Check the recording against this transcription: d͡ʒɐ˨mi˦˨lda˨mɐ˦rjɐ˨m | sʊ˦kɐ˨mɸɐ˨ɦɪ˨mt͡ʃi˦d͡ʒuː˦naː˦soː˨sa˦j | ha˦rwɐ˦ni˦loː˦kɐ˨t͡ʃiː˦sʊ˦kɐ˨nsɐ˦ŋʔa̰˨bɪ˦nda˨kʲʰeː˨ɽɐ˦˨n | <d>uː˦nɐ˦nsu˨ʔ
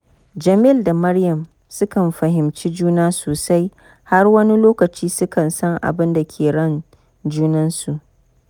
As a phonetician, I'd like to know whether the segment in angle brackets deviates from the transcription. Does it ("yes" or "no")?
yes